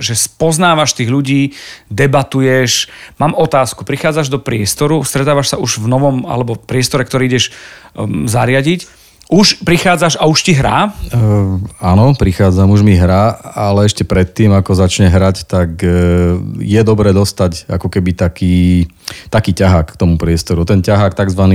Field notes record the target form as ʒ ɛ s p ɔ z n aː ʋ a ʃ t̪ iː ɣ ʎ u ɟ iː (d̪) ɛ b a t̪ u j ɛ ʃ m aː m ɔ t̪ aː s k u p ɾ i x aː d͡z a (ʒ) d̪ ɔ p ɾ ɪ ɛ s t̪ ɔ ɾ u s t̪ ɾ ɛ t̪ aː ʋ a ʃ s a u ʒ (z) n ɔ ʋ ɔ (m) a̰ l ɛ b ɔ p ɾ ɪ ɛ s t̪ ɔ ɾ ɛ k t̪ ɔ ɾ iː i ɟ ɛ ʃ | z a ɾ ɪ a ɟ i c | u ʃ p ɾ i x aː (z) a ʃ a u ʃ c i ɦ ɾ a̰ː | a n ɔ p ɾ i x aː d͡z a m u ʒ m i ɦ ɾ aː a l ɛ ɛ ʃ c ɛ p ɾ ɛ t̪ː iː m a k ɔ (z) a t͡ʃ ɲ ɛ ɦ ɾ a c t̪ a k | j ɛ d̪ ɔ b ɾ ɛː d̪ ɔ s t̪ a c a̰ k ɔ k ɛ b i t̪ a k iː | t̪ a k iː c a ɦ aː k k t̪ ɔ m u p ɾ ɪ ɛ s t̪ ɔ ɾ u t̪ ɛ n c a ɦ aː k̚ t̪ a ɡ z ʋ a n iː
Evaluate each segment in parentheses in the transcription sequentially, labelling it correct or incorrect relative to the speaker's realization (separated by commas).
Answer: correct, correct, incorrect, correct, incorrect, correct